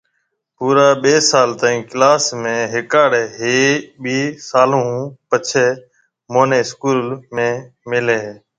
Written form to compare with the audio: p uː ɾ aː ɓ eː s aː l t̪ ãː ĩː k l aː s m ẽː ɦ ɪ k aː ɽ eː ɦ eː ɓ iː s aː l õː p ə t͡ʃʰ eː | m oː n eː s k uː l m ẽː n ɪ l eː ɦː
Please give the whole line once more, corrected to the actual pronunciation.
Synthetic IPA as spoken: p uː ɾ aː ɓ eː s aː l t̪ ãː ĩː k l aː s m ẽː ɦ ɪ k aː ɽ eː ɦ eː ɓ iː s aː l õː p ə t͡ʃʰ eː | m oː n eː s k uː l m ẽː m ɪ l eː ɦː

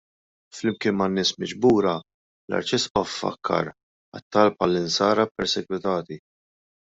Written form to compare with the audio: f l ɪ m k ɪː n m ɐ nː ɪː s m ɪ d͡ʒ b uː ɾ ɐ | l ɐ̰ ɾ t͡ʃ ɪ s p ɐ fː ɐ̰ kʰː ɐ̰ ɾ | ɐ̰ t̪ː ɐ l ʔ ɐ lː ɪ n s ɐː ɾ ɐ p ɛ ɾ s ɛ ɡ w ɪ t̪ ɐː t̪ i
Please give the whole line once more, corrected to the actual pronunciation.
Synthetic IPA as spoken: f l ɪ m k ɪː n m ɐ nː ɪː s m ɪ d͡ʒ b uː ɾ ɐ | l ɐ̰ ɾ t͡ʃ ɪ s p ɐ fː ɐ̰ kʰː ɐ̰ ɾ | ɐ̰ t̪ː ɐ l p ɐ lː ɪ n s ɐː ɾ ɐ p ɛ ɾ s ɛ ɡ w ɪ t̪ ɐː t̪ i

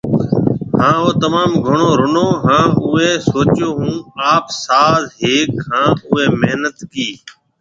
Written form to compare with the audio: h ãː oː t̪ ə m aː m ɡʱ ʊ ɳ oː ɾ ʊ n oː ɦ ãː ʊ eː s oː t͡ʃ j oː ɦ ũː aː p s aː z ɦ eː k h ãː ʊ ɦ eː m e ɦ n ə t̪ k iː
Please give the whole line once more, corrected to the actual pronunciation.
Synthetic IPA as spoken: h ãː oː t̪ ə m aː m ɡʱ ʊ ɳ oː ɾ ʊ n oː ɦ ãː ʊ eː s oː t͡ʃ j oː ɦ ũː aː p s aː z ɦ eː k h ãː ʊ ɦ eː m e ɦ n ə t̪ k iː

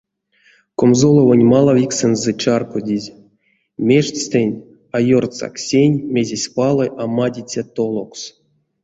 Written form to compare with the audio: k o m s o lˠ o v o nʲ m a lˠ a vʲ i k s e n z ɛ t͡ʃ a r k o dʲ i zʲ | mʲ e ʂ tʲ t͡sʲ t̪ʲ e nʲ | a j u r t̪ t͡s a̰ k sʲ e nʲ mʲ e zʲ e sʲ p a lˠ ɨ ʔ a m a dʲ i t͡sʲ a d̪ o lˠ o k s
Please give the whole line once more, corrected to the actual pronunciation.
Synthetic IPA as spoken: k o m z o lˠ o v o nʲ m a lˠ a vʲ i k s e n z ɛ t͡ʃ a r k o dʲ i zʲ | mʲ e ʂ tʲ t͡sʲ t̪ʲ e nʲ | a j o r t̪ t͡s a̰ k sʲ e nʲ mʲ e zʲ e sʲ p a lˠ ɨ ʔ a m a dʲ i t͡sʲ a t̪ o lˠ o k s

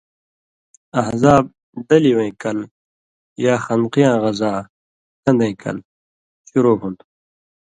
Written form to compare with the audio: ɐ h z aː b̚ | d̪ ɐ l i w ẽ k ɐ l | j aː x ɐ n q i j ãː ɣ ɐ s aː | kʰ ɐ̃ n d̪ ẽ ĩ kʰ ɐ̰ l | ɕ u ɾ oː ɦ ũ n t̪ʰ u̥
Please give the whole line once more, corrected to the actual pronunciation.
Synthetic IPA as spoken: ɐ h z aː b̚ | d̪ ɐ l i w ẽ k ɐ l | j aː x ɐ n q i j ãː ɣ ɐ z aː | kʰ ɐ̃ n d̪ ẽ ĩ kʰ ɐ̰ l | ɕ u ɾ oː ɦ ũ n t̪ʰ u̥

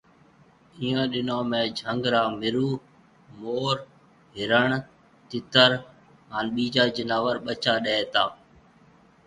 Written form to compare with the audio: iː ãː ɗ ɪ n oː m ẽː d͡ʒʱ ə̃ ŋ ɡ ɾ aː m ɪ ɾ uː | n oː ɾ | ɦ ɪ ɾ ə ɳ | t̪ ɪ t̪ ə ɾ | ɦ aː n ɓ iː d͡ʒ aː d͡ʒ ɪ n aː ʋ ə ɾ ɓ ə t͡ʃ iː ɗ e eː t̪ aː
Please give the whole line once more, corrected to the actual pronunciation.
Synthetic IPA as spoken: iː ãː ɗ ɪ n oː m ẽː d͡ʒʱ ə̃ ŋ ɡ ɾ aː m ɪ ɾ uː | m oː ɾ | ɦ ɪ ɾ ə ɳ | t̪ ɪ t̪ ə ɾ | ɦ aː n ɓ iː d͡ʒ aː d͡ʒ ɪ n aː ʋ ə ɾ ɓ ə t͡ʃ aː ɗ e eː t̪ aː

